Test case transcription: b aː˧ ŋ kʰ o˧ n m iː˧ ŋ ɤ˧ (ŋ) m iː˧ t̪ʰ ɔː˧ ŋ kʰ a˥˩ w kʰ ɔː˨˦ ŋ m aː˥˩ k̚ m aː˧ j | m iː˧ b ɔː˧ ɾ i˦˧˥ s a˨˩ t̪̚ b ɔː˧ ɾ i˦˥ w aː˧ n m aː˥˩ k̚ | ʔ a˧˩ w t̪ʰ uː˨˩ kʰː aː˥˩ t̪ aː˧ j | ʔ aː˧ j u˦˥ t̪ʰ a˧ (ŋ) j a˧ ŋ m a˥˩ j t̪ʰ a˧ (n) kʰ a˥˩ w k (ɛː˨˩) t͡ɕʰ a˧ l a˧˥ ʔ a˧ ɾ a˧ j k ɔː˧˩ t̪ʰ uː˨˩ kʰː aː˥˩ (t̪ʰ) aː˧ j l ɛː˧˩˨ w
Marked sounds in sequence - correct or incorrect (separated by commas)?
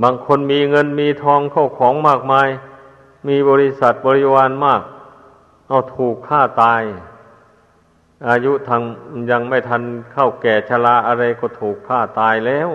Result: incorrect, correct, correct, correct, incorrect